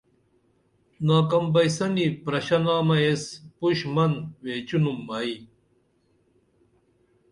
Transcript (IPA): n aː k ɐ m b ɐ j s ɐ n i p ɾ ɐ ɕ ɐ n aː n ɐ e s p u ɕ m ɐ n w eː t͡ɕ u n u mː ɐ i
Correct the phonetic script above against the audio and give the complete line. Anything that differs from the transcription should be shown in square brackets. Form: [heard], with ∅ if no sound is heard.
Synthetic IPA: n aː k ɐ m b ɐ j s ɐ n i p ɾ ɐ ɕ ɐ n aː [m] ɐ e s p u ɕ m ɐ n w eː t͡ɕ u n u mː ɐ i